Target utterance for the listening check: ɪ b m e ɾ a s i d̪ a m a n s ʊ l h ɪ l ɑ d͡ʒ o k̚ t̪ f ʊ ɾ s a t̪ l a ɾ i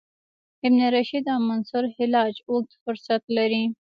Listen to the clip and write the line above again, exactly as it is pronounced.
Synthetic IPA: ɪ b n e ɾ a ʃ i d̪ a m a n s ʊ ɾ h ɪ l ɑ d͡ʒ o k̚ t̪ f ʊ ɾ s a t̪ l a ɾ i